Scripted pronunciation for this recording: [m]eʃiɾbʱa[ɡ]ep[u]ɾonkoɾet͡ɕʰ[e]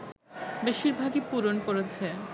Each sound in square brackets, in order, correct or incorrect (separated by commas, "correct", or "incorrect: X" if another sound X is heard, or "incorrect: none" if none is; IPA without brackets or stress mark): incorrect: b, correct, correct, correct